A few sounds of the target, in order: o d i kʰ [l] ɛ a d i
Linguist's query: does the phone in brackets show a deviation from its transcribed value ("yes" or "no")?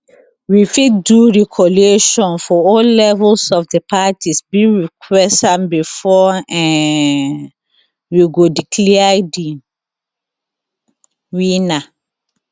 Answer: no